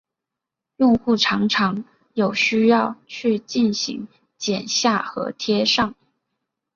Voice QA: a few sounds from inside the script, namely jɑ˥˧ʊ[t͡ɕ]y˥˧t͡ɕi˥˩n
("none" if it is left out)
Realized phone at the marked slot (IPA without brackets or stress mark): t͡ɕʰ